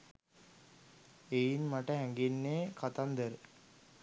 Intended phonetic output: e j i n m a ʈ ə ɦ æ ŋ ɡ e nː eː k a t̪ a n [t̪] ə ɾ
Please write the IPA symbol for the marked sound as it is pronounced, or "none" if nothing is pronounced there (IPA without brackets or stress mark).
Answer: d̪